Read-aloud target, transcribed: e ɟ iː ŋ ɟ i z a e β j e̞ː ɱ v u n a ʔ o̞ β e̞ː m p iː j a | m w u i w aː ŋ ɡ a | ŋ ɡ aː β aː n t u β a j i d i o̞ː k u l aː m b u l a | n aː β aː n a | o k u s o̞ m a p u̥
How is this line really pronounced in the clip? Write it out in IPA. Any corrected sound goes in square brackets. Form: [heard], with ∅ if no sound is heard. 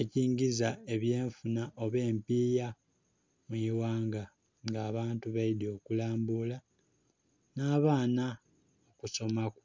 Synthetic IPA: e [c] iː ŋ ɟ i z a e β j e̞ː ɱ [f] u n a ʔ o̞ β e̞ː m p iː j a | m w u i w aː ŋ ɡ a | ŋ ɡ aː β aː n t u β a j i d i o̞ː k u l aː m b u l a | n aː β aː n a | o k u s o̞ m a [k] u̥